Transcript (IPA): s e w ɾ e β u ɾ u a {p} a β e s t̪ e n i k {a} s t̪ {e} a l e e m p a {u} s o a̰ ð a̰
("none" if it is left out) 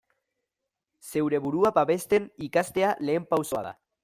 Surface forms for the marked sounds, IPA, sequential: p, a, e, w

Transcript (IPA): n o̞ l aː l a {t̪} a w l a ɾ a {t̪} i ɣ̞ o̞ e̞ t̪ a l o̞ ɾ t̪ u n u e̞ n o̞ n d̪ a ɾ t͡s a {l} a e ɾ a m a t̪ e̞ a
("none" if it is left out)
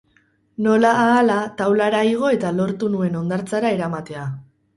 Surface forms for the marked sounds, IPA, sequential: t̪, none, ɾ

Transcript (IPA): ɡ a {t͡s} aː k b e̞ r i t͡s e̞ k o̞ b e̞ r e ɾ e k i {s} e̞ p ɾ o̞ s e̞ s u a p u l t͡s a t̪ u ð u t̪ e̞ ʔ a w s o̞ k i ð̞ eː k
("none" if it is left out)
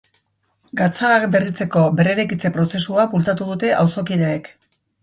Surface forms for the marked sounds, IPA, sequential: t͡s, t͡s

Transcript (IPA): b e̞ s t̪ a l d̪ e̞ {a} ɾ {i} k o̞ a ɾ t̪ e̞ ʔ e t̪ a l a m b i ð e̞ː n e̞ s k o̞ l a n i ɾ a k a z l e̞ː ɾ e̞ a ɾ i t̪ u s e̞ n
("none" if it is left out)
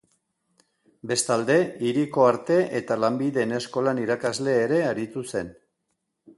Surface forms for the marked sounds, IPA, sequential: i, i

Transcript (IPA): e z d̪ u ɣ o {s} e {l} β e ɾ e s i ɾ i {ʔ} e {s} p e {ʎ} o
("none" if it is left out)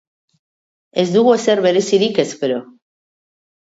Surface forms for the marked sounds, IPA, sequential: s, ɾ, k, s, ɾ

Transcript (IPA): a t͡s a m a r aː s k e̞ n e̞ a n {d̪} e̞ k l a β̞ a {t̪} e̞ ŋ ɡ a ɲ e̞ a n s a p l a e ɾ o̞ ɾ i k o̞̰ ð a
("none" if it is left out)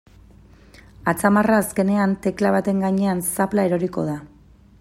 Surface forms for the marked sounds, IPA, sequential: t̪, t̪

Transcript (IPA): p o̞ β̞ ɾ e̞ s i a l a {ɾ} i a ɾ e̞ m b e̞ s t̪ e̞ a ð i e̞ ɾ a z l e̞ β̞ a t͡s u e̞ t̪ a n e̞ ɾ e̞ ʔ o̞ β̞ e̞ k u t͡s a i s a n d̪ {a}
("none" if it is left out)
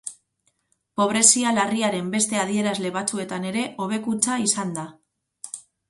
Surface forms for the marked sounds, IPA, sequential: r, a

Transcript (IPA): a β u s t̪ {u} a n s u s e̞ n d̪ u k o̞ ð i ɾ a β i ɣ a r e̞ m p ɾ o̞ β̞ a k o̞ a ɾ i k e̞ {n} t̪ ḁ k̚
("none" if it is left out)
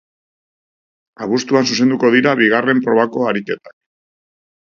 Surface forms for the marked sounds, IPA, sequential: u, none

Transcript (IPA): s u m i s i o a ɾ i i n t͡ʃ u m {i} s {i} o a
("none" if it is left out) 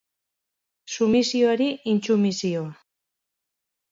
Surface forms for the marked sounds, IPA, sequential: i, i

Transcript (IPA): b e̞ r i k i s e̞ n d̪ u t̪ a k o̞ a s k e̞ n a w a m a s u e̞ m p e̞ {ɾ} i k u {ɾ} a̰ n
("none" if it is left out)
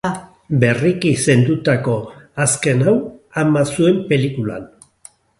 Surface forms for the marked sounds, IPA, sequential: l, l

